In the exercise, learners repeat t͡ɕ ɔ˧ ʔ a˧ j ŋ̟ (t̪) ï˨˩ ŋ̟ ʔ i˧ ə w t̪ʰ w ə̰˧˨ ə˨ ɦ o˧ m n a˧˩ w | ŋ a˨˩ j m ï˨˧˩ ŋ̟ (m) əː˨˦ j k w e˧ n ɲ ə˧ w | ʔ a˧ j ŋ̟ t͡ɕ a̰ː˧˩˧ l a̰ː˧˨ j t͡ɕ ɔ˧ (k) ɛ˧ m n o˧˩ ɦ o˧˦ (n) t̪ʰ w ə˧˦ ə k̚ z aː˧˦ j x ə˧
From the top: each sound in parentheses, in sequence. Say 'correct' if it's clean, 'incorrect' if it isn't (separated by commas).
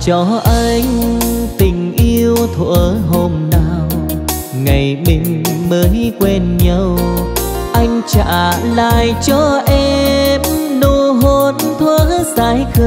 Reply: correct, correct, incorrect, correct